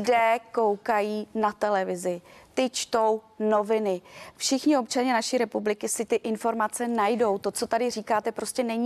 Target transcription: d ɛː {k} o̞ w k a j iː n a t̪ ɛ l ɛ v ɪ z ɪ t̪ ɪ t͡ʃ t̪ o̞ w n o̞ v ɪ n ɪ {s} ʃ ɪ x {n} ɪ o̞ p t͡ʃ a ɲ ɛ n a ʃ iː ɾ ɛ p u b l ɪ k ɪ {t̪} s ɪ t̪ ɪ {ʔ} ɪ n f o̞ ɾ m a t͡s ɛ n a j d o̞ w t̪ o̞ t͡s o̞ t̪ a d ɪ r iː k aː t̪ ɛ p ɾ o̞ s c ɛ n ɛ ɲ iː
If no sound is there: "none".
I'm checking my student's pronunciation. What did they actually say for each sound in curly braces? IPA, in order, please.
k, f, ɲ, none, ʔ

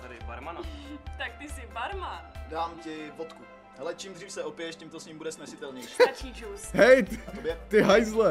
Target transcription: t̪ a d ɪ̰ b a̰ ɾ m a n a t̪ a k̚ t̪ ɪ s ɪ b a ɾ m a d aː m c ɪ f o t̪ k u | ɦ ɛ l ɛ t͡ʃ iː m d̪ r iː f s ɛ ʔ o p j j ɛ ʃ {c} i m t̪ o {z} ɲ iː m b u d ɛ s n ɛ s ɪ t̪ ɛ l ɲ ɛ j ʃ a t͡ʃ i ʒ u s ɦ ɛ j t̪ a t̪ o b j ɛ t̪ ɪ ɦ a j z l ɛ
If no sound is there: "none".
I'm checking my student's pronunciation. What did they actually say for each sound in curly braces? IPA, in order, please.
c, s

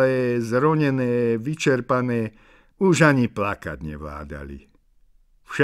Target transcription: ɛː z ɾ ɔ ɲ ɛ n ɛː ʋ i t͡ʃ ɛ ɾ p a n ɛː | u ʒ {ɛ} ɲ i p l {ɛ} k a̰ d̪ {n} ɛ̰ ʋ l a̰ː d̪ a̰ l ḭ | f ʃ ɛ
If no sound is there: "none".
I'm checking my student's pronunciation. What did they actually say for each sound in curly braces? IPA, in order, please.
a, a, ɲ

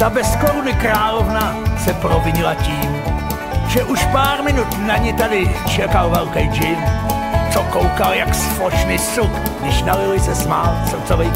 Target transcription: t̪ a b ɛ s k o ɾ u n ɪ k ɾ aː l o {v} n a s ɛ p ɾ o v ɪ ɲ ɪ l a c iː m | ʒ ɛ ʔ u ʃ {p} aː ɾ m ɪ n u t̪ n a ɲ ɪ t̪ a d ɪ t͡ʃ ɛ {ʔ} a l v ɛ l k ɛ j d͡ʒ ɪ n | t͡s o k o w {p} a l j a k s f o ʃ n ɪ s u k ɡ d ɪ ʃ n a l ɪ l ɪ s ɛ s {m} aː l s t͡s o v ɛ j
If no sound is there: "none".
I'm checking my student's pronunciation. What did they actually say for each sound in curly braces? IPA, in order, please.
v, p, k, k, m

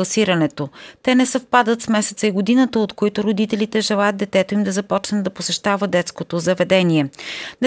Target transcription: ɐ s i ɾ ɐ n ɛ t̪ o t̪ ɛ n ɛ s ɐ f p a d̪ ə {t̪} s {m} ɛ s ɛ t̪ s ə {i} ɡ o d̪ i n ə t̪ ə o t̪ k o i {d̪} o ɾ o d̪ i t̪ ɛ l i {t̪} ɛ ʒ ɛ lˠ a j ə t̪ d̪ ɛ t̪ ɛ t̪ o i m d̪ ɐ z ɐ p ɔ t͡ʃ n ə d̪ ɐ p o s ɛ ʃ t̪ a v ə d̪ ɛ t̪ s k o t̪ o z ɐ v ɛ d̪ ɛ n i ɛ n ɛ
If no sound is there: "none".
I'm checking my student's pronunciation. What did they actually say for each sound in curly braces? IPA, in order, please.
t̪, m, i, t̪, t̪

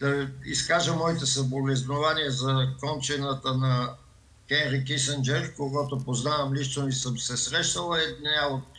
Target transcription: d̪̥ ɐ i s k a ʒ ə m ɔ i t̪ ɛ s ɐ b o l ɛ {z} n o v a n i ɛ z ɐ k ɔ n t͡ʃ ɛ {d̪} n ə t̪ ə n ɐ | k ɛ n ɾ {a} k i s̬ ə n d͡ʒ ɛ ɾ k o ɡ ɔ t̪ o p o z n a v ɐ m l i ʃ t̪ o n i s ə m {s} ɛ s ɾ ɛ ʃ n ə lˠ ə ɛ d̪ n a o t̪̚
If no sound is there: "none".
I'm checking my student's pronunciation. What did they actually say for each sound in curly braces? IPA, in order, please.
z, none, i, s

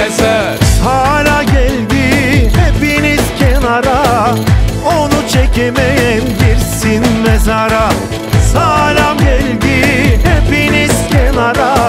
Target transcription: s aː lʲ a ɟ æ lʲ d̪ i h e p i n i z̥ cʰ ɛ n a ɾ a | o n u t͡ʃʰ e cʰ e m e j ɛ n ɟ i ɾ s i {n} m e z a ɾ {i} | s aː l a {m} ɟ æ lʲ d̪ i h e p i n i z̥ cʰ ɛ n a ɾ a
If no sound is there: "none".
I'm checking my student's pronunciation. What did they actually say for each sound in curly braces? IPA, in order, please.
n, a, m

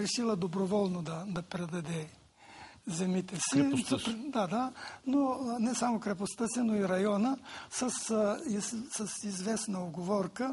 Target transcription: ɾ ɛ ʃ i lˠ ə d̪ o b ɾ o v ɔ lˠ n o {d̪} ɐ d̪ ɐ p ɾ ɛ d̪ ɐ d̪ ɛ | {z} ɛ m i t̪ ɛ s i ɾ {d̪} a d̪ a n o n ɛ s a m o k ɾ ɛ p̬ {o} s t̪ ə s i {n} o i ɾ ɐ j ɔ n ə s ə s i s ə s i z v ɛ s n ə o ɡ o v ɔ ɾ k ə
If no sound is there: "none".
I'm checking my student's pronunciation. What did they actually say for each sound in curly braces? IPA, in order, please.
d̪, z, d̪, o, n

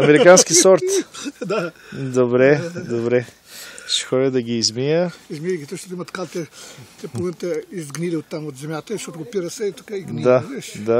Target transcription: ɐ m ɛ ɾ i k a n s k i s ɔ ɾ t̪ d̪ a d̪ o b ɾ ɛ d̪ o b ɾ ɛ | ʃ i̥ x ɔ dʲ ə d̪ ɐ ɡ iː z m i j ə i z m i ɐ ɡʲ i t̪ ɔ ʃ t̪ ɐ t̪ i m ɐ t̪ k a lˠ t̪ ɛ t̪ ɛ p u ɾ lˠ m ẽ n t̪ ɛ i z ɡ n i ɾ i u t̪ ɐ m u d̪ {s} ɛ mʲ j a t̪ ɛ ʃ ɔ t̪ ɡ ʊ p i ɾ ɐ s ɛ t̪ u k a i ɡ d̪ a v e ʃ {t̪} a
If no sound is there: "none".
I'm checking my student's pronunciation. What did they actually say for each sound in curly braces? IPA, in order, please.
z, d̪

